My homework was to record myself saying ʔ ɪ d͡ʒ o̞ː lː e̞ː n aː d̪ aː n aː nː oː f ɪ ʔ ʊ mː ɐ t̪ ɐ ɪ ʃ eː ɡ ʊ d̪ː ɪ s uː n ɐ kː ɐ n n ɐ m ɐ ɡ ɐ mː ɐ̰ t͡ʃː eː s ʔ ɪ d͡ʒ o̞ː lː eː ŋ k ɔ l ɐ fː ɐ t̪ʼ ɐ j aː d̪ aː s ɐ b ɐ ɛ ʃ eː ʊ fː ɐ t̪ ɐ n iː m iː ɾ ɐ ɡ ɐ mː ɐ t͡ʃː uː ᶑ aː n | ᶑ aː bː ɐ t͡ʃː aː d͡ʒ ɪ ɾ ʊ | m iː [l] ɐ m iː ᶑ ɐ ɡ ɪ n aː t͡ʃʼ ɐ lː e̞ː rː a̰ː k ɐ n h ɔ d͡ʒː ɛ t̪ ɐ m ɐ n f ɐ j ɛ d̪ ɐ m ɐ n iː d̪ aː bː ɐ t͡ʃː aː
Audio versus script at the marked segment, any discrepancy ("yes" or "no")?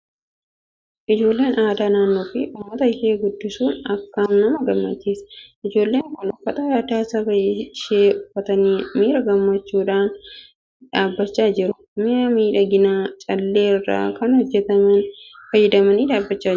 yes